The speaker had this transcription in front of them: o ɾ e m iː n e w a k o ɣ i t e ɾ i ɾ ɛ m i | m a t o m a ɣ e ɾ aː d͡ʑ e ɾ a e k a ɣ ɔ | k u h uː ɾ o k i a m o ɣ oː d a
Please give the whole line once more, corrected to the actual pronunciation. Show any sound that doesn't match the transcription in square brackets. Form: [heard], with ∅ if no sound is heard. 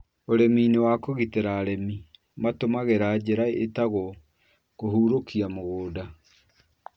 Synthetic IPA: o ɾ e m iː n e w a k o ɣ i t e ɾ [a] ɾ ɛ m i | m a t o m a ɣ e ɾ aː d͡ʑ e ɾ a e [t] a ɣ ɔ | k [o] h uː ɾ o k i a m o ɣ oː d a